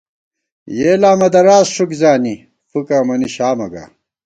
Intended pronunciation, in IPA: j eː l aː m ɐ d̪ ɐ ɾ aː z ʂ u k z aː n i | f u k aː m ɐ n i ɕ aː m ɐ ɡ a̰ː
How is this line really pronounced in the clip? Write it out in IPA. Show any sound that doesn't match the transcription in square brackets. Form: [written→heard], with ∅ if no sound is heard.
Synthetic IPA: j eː l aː m ɐ d̪ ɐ ɾ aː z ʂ u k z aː n i | f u k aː m ɐ n i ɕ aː m ɐ ɡ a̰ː